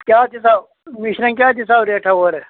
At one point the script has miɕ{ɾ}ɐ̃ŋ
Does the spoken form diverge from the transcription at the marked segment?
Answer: no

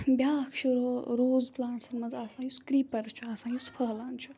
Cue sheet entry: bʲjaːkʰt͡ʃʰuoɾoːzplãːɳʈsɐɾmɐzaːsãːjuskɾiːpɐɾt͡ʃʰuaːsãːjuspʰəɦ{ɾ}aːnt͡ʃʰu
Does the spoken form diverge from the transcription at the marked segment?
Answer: yes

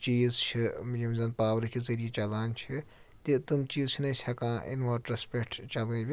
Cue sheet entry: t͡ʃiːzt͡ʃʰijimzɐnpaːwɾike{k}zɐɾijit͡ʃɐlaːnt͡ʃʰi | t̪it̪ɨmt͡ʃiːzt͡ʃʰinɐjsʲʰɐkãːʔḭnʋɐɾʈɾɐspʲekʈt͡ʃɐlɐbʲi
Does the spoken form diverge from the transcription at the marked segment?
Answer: yes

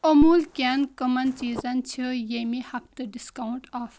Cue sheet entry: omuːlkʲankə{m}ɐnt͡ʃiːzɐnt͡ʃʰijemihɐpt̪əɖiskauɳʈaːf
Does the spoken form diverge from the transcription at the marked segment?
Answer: no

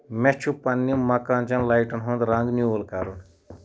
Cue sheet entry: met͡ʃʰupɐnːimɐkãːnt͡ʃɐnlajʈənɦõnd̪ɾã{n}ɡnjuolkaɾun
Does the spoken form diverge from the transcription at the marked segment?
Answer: yes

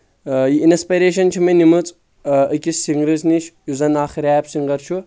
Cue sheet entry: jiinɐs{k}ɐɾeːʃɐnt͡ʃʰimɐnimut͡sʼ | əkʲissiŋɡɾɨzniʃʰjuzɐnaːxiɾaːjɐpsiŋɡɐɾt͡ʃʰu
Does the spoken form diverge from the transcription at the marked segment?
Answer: yes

